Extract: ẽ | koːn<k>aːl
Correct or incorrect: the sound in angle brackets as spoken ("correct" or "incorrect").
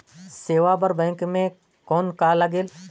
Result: correct